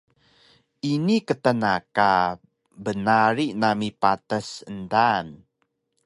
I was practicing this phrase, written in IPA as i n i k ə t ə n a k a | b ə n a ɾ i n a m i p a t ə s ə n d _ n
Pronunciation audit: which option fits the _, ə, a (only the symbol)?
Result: a